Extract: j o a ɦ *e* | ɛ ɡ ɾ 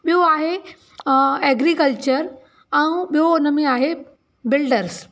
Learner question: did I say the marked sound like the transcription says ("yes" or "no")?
yes